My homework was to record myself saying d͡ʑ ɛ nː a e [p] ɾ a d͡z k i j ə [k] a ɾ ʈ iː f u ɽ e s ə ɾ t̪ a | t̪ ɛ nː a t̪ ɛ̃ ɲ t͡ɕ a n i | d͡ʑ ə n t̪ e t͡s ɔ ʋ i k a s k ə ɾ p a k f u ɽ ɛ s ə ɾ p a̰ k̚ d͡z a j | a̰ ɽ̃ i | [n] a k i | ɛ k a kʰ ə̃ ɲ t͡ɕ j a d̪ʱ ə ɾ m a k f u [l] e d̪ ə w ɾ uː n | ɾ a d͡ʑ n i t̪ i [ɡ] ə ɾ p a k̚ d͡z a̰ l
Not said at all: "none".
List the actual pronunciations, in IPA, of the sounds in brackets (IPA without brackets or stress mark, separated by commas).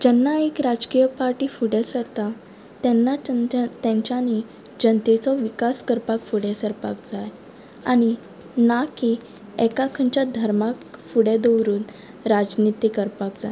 k, p, n, ɽ, k